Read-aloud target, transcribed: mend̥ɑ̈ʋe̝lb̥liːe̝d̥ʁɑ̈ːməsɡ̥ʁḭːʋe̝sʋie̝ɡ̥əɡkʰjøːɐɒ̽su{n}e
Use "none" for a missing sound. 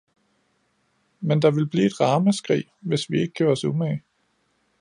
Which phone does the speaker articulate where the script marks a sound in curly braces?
m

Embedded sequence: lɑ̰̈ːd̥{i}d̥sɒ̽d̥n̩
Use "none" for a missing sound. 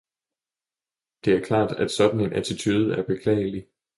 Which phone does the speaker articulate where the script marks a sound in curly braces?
æ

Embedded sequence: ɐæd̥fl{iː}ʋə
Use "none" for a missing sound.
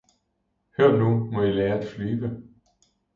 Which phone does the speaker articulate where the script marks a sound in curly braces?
yː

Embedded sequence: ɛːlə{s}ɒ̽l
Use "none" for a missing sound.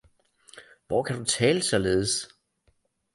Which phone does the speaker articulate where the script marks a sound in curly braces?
s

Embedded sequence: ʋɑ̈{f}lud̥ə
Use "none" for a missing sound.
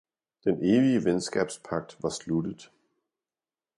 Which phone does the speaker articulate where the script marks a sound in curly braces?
s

